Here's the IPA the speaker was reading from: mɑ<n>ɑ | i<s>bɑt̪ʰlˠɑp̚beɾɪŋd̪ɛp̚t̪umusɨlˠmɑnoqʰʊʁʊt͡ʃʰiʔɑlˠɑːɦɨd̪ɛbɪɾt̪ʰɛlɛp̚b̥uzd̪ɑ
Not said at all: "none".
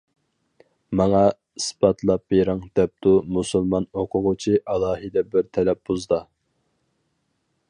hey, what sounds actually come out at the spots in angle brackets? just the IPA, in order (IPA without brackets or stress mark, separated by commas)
ŋ, s